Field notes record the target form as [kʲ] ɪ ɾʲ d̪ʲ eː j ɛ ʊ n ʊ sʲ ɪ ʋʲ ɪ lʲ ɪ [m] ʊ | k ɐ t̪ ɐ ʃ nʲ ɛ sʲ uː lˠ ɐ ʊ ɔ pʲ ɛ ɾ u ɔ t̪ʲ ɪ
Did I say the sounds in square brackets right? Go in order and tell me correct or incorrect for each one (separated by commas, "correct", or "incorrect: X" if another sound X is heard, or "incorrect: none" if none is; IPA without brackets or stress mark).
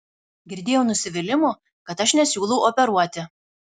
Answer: incorrect: ɡʲ, correct